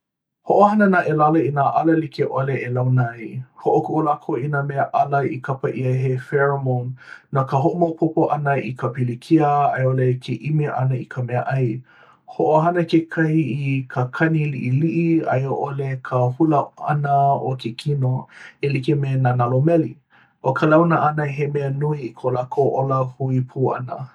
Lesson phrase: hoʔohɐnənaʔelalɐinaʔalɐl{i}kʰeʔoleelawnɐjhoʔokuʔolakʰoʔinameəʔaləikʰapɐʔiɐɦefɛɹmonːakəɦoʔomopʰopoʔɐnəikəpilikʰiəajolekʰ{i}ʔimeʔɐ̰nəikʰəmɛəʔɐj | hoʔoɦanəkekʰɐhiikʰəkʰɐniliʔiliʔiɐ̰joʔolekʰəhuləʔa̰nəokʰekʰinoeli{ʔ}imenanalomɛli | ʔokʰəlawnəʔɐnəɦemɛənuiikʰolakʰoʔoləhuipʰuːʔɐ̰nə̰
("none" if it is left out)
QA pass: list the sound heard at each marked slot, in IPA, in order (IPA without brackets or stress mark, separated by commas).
i, e, k